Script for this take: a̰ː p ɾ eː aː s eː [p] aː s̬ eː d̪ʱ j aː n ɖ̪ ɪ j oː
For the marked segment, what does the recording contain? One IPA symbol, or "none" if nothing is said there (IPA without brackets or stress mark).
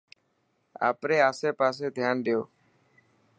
p